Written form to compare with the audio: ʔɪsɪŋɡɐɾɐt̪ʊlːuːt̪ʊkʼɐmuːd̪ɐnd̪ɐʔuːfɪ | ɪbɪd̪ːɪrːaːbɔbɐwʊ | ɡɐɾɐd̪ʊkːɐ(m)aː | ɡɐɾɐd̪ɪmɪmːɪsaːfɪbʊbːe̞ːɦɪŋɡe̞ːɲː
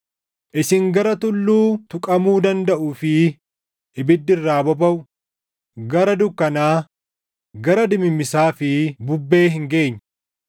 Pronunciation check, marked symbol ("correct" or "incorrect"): incorrect